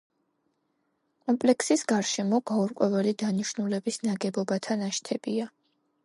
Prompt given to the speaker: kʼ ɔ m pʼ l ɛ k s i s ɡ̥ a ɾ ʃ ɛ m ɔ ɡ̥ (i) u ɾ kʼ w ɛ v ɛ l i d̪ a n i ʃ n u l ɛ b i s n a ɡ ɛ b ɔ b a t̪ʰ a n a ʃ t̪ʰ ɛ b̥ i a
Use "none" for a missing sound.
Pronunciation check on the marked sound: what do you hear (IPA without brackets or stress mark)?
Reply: a